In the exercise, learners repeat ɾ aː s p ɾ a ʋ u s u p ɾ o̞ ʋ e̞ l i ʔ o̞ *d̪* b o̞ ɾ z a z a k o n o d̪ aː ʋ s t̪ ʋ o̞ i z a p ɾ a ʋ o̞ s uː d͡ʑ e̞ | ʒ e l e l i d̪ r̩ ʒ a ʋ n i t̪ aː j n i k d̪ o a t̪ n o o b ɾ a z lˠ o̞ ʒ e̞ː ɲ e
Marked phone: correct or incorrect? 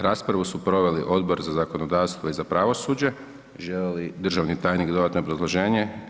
correct